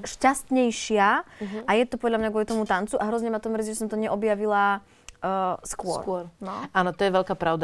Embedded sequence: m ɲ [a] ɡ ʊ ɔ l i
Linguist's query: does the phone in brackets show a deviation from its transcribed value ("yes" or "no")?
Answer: no